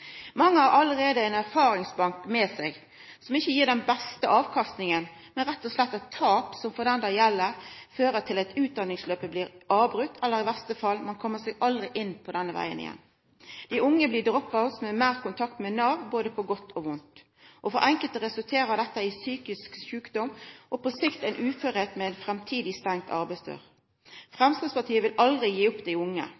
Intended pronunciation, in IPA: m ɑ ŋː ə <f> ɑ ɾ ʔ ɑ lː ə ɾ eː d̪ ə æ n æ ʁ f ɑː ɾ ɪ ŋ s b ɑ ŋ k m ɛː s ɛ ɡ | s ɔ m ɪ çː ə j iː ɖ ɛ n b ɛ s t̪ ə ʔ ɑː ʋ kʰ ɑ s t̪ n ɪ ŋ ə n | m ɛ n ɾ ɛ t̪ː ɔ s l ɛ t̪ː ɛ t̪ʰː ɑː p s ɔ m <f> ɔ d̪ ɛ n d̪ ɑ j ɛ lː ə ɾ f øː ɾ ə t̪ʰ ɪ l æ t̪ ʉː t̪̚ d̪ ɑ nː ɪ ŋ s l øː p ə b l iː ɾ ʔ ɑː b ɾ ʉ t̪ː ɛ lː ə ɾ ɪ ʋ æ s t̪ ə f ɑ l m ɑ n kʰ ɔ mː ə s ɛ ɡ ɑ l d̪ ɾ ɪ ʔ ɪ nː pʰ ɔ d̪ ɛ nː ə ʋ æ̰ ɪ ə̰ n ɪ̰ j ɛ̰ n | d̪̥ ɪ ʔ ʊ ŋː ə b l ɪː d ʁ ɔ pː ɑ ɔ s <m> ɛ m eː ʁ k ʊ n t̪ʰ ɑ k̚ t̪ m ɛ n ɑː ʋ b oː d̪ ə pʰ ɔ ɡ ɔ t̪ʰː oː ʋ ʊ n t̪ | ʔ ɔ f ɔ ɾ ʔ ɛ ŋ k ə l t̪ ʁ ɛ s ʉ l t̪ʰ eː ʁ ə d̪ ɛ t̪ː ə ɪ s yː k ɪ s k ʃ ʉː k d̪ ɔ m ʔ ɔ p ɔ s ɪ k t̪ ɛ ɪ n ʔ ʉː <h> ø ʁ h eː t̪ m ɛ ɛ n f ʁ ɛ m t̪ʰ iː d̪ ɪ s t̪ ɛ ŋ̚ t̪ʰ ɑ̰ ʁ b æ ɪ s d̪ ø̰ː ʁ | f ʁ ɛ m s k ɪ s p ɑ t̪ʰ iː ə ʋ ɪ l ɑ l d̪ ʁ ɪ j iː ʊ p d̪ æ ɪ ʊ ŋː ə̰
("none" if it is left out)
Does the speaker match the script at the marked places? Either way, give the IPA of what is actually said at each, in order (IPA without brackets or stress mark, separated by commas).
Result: h, f, m, f